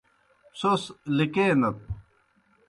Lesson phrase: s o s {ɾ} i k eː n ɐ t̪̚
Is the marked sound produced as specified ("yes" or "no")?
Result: no